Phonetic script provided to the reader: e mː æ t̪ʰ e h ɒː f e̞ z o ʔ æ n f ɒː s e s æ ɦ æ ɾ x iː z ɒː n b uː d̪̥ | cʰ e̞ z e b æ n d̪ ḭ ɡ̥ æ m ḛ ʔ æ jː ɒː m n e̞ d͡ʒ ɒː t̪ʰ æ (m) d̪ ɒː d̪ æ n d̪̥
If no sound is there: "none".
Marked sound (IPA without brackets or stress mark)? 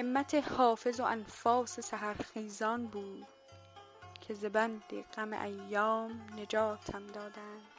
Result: m